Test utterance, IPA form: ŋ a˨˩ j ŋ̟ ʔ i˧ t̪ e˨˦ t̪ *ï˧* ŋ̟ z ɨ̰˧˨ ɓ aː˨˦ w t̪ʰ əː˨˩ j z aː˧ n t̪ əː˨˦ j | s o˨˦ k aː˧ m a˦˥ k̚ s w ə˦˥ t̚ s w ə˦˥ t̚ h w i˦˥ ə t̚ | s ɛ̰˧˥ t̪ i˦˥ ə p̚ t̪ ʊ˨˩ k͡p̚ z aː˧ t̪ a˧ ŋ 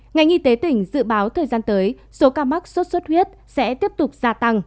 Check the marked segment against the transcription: incorrect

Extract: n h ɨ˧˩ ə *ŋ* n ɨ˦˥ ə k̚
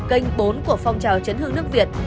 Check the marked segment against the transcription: correct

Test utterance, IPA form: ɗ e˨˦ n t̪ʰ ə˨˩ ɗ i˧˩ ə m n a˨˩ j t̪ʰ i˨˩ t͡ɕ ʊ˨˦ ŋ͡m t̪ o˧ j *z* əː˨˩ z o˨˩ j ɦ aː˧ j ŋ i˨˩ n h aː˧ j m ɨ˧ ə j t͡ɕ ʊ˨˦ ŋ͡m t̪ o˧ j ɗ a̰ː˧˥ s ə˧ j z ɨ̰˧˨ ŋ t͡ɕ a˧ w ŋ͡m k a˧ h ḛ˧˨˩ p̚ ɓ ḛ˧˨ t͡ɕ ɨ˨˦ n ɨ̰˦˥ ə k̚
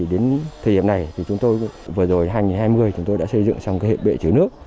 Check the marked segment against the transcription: incorrect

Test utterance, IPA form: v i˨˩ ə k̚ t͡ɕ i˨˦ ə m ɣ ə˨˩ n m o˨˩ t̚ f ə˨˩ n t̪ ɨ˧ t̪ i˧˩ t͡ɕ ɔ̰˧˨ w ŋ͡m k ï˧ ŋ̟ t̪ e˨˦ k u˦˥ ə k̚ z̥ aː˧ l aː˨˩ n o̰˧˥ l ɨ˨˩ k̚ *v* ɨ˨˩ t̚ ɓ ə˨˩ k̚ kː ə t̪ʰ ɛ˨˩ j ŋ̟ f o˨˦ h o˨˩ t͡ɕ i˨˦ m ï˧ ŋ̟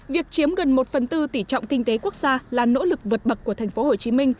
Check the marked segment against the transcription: correct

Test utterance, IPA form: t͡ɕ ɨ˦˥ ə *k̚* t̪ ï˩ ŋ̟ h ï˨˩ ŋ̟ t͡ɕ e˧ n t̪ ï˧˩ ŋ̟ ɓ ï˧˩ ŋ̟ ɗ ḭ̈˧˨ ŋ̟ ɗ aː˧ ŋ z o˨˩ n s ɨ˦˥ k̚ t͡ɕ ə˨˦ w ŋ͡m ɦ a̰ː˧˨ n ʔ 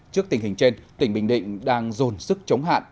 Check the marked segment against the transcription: correct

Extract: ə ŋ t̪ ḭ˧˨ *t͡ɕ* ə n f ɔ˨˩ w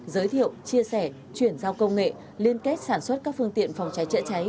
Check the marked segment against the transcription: incorrect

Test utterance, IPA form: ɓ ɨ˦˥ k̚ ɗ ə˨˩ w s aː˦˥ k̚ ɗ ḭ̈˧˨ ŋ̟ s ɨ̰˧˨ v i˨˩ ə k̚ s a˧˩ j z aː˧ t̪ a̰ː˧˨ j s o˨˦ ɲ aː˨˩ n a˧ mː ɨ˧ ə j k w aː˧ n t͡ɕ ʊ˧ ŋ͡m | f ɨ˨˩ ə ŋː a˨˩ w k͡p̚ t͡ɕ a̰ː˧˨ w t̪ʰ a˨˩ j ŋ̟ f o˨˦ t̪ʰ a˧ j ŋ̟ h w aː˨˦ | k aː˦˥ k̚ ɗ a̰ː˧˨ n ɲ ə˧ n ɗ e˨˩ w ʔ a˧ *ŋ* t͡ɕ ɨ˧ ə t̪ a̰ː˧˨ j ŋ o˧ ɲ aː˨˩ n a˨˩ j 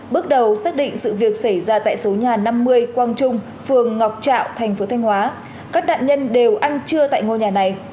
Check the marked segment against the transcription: incorrect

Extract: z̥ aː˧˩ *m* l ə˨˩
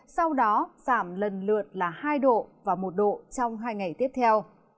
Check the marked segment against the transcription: correct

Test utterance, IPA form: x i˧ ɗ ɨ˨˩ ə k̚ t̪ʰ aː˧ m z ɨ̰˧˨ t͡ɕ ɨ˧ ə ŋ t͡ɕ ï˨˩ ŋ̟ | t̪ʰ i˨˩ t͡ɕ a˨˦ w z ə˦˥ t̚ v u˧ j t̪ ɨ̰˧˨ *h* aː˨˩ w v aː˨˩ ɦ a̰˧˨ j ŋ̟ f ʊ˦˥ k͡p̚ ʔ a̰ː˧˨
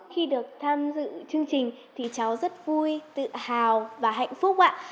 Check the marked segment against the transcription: correct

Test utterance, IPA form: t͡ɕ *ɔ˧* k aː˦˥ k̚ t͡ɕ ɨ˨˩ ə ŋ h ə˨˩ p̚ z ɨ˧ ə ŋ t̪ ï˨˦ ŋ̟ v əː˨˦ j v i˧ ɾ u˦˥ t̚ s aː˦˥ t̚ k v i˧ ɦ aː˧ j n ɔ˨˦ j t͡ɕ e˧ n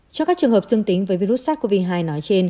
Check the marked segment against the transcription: correct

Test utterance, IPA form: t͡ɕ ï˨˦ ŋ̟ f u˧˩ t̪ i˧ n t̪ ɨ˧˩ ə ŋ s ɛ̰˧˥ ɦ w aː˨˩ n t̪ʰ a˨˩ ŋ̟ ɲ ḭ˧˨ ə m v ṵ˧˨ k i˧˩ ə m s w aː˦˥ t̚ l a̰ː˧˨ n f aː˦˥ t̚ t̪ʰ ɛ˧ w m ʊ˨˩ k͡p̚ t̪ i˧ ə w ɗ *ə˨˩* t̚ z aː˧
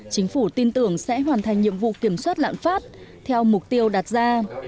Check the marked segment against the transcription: incorrect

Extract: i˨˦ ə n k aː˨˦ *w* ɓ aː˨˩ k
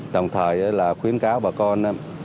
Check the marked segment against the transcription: correct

